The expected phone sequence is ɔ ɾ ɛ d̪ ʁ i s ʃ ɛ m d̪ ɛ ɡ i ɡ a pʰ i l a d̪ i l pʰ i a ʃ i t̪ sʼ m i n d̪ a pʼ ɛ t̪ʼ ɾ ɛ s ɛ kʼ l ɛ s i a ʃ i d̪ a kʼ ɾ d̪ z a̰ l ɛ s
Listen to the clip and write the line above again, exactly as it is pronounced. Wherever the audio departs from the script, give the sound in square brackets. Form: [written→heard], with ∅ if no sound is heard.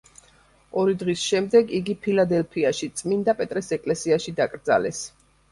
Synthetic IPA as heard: ɔ ɾ [ɛ→i] d̪ ʁ i s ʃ ɛ m d̪ ɛ ɡ i ɡ [a→i] pʰ i l a d̪ [i→ɛ] l pʰ i a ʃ i t̪ sʼ m i n d̪ a pʼ ɛ t̪ʼ ɾ ɛ s ɛ kʼ l ɛ s i a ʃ i d̪ a kʼ ɾ d̪ z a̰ l ɛ s

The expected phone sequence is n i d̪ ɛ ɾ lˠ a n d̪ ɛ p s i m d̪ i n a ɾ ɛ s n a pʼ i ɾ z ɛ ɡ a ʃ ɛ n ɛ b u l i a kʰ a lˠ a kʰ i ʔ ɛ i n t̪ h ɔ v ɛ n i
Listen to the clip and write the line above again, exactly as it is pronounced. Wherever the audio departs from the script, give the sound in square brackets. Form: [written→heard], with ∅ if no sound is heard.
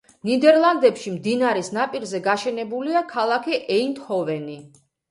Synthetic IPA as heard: n i d̪ ɛ ɾ lˠ a n d̪ ɛ p [s→ʃ] i m d̪ i n a ɾ ɛ s n a pʼ i ɾ z ɛ ɡ a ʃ ɛ n ɛ b u l i a kʰ a lˠ a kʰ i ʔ ɛ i n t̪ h ɔ v ɛ n i

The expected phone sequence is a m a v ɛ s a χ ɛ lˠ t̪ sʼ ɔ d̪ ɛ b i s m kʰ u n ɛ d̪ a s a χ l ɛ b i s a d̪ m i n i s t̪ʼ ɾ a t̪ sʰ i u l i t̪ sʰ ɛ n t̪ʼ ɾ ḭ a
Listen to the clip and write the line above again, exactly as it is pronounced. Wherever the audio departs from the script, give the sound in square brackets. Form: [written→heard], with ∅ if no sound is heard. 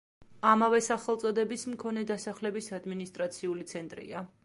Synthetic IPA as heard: a m a v ɛ s a χ ɛ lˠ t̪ sʼ ɔ d̪ ɛ b i s m kʰ [u→ɔ] n ɛ d̪ a s a χ l ɛ b i s a d̪ m i n i s t̪ʼ ɾ a t̪ sʰ i u l i t̪ sʰ ɛ n t̪ʼ ɾ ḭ a

